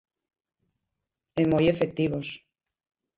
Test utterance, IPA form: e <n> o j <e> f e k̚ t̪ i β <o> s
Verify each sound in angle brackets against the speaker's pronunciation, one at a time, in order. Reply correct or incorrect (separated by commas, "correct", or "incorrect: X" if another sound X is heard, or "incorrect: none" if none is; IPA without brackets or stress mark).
incorrect: m, correct, correct